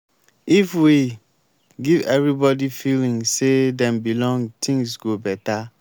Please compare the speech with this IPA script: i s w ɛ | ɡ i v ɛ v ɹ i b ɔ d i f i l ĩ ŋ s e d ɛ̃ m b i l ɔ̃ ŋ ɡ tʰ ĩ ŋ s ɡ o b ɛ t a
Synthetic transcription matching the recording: i f w i | ɡ i v ɛ v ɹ i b ɔ d i f i l ĩ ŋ s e d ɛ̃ m b i l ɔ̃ ŋ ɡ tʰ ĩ ŋ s ɡ o b ɛ t a